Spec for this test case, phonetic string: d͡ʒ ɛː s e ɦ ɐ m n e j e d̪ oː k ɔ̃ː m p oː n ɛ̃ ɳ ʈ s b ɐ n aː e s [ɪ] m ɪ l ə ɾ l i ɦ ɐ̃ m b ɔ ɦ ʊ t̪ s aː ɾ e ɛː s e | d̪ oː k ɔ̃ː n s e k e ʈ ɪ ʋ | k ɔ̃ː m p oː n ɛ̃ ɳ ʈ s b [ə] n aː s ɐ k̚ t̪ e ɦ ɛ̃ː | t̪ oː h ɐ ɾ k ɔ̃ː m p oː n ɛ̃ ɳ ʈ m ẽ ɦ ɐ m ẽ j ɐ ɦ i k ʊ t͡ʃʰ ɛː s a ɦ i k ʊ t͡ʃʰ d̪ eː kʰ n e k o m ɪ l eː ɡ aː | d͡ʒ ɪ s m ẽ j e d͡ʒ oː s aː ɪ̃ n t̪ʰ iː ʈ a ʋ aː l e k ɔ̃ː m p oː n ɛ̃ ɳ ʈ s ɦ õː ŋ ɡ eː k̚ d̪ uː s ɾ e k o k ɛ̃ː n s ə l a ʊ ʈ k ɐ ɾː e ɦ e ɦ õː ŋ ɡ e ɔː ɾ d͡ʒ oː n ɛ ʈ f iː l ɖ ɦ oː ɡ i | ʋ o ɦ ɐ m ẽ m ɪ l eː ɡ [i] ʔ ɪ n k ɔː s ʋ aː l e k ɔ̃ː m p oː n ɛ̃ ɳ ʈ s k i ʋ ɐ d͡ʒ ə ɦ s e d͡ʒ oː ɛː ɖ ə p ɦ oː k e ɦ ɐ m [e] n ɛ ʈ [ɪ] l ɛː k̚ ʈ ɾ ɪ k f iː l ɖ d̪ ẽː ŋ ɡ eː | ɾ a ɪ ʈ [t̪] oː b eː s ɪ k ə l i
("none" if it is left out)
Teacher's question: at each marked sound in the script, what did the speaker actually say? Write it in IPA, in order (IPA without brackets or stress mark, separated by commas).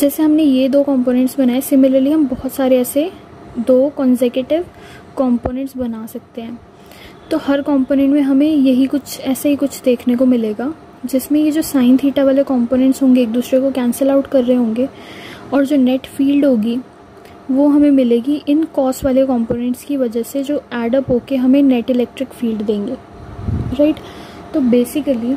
ɪ, ɐ, i, ẽ, ɪ, t̪